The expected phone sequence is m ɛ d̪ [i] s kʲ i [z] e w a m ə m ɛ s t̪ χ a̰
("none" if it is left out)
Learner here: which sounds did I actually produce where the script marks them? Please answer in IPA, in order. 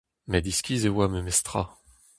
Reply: i, z

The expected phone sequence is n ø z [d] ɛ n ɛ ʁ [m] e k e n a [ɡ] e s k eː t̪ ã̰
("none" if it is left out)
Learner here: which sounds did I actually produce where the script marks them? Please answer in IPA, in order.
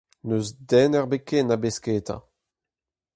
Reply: d, b, b

